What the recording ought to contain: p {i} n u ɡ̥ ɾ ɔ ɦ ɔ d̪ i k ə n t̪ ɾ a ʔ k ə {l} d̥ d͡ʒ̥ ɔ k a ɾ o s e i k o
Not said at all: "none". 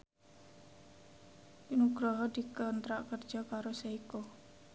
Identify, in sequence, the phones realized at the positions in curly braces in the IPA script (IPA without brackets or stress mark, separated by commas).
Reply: i, r